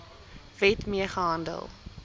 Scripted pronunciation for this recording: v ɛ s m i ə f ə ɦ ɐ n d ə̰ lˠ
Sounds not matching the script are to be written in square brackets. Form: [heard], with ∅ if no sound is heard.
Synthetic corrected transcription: v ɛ [t] m i ə [χ] ə ɦ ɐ n d ə̰ lˠ